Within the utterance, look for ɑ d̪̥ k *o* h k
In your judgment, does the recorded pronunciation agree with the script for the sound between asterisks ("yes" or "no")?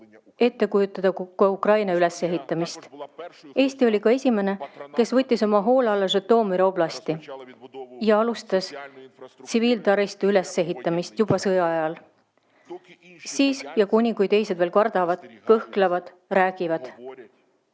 no